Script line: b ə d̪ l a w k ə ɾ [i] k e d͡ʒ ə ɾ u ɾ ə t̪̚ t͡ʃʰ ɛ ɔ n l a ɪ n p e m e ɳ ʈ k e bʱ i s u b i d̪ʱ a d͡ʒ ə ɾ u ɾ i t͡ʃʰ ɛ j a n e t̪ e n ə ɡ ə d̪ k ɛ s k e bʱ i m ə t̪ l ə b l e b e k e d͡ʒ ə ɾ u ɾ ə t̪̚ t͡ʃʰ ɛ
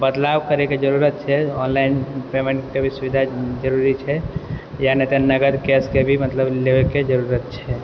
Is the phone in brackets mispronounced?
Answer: yes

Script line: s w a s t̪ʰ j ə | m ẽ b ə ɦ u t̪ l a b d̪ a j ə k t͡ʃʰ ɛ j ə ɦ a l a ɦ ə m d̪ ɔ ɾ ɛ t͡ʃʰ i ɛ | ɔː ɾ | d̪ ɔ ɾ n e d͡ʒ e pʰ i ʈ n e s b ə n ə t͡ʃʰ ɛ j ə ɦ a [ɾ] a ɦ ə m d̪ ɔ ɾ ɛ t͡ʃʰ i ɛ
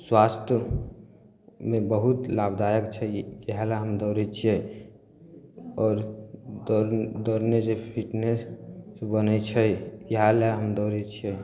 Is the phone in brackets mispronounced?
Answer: yes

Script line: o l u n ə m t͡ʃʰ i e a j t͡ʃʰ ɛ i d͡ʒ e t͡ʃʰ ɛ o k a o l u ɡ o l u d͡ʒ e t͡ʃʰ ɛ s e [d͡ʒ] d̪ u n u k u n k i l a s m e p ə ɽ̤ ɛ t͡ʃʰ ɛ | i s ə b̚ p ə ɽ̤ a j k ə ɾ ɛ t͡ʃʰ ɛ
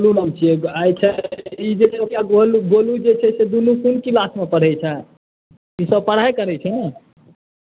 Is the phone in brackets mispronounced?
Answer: yes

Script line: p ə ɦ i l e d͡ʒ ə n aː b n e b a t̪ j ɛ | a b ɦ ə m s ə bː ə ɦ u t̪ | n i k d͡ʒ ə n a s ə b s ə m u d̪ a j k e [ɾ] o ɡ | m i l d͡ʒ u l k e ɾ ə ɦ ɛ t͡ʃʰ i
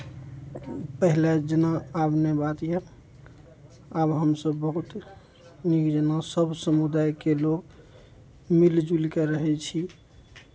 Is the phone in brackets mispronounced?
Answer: yes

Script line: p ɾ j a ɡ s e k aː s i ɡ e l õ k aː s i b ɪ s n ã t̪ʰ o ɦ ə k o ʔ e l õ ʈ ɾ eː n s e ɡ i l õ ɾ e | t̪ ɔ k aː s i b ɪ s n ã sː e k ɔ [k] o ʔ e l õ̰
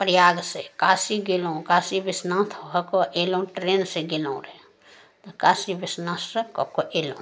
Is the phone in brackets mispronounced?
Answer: no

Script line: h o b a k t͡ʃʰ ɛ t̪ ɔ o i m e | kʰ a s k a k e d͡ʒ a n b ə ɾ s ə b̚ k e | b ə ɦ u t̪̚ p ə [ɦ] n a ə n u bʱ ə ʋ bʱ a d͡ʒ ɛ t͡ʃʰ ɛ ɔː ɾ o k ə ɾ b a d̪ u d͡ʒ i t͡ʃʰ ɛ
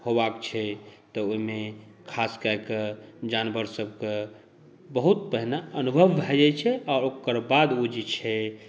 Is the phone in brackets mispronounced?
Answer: no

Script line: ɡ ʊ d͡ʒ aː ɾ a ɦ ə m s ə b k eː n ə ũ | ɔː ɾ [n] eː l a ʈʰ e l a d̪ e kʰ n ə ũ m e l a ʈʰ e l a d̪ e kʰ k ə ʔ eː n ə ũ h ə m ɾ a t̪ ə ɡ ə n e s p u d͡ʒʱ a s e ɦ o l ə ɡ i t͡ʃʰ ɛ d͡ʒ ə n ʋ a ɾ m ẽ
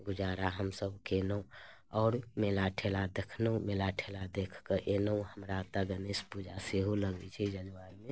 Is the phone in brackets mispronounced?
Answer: yes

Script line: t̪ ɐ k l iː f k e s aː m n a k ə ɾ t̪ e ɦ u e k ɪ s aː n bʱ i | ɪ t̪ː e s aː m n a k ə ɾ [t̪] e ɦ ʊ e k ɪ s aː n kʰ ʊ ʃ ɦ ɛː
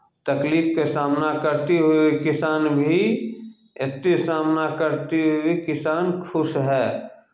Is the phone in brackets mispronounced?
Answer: no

